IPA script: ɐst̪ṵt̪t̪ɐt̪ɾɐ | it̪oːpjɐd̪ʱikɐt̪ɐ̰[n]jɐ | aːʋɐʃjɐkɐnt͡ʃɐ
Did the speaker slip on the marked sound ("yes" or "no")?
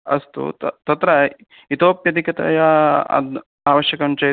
yes